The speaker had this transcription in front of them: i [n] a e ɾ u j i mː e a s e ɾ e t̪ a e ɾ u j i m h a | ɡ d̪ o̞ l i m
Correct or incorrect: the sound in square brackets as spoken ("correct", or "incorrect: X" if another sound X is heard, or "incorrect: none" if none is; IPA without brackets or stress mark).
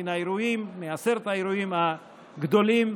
correct